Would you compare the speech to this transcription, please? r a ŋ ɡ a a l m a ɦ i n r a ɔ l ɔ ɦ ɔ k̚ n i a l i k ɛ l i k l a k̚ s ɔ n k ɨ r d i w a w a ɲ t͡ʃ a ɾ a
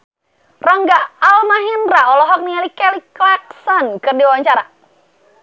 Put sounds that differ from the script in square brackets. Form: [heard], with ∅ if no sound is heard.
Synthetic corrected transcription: r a ŋ ɡ a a l m a ɦ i n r a ɔ l ɔ ɦ ɔ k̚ n i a l i k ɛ l i k l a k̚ s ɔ n k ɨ r d i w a w a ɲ t͡ʃ a ɾ a